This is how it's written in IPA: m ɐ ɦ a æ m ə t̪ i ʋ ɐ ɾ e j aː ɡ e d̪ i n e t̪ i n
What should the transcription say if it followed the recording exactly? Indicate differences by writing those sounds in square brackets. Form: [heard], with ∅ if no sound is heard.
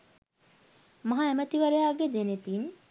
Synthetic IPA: m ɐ ɦ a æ m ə t̪ i ʋ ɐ ɾ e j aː ɡ e d̪ [e] n e t̪ i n